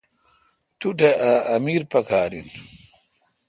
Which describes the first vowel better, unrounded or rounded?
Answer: rounded